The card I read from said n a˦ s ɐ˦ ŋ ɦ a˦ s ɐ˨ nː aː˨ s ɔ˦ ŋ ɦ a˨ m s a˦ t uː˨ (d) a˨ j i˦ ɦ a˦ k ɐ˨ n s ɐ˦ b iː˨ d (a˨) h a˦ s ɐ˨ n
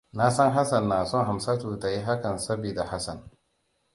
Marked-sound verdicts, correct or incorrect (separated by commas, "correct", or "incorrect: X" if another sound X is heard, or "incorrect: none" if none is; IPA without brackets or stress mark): incorrect: t, correct